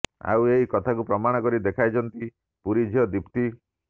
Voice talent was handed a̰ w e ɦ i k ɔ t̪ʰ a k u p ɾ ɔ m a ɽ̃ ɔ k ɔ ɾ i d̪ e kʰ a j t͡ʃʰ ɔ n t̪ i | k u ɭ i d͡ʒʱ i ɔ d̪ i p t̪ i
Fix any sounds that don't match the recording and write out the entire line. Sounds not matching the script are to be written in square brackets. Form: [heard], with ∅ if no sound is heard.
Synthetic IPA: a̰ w e ɦ i k ɔ t̪ʰ a k u p ɾ ɔ m a ɽ̃ ɔ k ɔ ɾ i d̪ e kʰ a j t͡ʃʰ ɔ n t̪ i | [p] u [ɾ] i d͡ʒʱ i ɔ d̪ i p t̪ i